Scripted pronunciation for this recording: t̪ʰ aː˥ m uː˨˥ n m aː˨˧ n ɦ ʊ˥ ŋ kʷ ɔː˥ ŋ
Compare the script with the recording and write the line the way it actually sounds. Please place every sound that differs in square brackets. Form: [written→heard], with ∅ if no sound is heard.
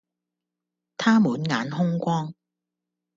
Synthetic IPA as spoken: t̪ʰ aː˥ m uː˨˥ n [m→ŋ] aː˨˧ n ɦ ʊ˥ ŋ kʷ ɔː˥ ŋ